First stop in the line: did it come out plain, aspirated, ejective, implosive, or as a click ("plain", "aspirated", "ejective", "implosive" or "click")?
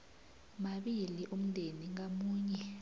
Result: implosive